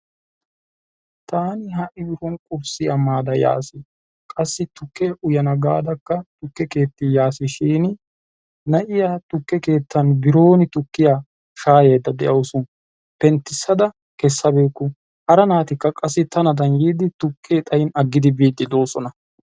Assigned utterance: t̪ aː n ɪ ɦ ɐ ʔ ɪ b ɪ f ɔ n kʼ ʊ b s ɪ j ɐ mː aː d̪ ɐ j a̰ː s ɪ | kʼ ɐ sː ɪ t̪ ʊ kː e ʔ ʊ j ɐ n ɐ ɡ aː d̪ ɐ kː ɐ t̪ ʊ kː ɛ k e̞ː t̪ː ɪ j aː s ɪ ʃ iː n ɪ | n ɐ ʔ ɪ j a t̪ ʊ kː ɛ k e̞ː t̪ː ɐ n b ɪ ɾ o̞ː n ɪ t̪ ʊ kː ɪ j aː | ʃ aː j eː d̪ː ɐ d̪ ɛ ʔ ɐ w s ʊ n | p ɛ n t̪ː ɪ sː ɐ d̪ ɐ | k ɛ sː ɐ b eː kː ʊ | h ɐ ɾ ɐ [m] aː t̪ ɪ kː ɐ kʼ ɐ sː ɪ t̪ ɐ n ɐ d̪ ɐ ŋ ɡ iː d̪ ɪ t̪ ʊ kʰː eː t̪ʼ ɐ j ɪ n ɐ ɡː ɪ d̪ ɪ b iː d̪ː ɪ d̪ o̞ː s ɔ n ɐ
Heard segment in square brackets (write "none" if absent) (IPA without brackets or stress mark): n